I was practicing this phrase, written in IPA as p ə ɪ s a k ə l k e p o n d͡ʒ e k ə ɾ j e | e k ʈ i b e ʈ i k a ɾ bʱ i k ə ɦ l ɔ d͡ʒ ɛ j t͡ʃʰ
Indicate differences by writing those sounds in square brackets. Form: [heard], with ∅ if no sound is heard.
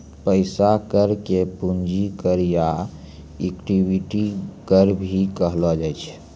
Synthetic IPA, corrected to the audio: p ə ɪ s a k ə [ɾ] k e p [u] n d͡ʒ [i] k ə ɾ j [a] | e k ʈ i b [i] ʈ i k [ə] ɾ bʱ i k ə ɦ l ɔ d͡ʒ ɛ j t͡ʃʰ